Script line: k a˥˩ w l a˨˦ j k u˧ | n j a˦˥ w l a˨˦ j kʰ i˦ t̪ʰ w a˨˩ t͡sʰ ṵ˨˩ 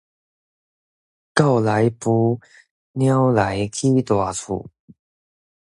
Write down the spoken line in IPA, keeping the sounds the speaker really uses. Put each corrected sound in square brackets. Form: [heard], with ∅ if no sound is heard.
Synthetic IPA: k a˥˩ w l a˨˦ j [p] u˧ | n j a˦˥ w l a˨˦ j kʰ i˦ [t̪] w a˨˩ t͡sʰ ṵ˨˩

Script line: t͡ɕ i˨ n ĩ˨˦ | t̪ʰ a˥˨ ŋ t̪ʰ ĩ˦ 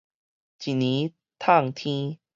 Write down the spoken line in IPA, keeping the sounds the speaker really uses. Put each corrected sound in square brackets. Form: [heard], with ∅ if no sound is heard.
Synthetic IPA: t͡ɕ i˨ n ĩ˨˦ | t̪ʰ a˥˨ ŋ t̪ʰ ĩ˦

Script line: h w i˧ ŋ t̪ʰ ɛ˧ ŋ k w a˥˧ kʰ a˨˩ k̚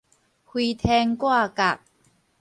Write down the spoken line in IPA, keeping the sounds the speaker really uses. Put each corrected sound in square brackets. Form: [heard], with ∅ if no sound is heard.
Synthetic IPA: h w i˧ [∅] t̪ʰ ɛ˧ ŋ k w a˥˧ [k] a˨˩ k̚

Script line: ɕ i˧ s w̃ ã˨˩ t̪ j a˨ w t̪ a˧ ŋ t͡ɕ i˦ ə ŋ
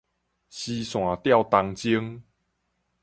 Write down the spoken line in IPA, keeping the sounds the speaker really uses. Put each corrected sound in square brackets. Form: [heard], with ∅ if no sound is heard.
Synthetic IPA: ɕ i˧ s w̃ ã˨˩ t̪ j [a˥˧] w t̪ a˧ ŋ t͡ɕ i˦ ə ŋ

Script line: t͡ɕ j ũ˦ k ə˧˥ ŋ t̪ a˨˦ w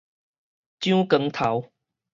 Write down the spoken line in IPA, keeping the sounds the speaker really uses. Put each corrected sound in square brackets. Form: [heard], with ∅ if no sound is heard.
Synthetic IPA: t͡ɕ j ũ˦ k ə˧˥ ŋ [t̪ʰ] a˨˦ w

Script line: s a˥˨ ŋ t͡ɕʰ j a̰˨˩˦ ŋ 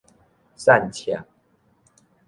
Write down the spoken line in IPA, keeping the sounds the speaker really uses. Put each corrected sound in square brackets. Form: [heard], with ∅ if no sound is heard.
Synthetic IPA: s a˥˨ [n] t͡ɕʰ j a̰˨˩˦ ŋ

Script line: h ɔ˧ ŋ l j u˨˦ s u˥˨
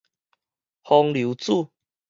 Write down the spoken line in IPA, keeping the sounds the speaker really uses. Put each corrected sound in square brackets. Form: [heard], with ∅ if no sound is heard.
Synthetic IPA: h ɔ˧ ŋ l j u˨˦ [t͡s] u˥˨

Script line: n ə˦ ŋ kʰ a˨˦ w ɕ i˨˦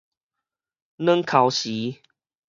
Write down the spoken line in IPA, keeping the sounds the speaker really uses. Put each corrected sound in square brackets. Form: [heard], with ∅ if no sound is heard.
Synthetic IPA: n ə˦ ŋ kʰ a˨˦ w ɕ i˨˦

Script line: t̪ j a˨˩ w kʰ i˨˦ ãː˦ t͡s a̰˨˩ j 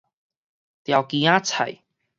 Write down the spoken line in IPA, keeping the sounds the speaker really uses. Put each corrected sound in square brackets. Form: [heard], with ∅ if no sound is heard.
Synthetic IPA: t̪ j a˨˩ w [k] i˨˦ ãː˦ [t͡sʰ] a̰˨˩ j

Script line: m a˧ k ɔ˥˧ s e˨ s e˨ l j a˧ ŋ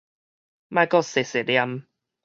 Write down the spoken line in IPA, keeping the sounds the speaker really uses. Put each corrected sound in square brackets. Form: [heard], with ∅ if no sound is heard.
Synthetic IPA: m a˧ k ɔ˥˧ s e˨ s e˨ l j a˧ [m]

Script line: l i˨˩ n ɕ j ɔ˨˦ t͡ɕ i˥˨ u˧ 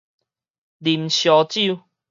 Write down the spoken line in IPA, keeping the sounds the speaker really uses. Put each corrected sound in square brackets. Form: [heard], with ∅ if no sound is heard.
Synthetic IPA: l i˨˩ [m] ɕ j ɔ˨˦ t͡ɕ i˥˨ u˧

